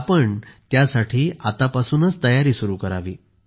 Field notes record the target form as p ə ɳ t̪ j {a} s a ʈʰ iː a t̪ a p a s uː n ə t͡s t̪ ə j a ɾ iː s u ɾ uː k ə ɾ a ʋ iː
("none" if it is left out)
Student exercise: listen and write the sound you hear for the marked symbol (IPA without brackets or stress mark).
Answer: a